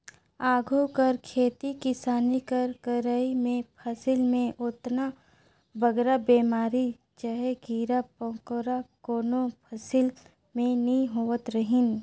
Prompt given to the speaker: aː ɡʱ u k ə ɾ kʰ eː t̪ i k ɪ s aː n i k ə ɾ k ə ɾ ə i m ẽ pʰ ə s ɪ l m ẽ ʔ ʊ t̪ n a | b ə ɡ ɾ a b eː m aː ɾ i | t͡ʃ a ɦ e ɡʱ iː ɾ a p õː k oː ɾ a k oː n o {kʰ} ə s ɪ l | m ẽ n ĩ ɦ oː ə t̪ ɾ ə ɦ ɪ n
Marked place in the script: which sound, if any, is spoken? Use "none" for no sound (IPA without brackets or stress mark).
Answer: pʰ